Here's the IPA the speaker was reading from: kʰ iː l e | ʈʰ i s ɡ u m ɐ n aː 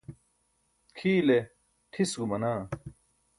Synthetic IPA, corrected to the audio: kʰ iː l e | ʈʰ i s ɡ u m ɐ n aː